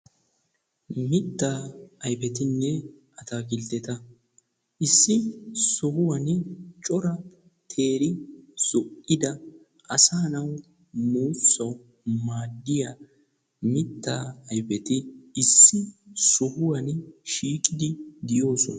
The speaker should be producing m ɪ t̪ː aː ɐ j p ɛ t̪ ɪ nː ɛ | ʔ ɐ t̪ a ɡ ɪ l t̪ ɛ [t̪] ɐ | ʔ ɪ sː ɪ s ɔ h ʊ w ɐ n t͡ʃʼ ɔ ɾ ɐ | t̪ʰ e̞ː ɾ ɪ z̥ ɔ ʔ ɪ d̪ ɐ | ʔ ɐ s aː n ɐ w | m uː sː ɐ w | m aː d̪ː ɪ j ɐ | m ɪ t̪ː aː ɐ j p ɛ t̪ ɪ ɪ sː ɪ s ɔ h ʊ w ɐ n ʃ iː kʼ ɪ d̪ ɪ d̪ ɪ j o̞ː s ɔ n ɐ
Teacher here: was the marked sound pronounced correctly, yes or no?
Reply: yes